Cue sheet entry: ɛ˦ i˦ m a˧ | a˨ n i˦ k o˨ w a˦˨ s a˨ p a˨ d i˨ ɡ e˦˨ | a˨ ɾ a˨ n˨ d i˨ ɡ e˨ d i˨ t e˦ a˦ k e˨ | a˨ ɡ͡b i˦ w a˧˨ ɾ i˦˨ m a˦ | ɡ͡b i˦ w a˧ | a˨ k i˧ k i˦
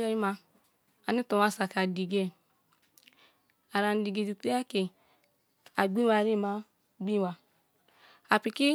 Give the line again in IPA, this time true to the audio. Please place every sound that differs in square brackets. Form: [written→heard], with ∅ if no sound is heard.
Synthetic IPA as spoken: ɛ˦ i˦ m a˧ | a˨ n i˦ [k→t] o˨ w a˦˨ s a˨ [p→k] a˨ d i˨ ɡ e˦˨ | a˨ ɾ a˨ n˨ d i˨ ɡ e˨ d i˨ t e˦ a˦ k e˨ | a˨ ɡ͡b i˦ w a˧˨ ɾ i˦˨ m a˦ | ɡ͡b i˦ w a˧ | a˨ [k→p] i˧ k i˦